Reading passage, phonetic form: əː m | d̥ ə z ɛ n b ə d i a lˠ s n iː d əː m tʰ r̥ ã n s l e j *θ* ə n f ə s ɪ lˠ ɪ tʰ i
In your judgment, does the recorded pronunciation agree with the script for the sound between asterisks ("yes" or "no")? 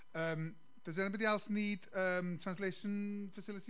no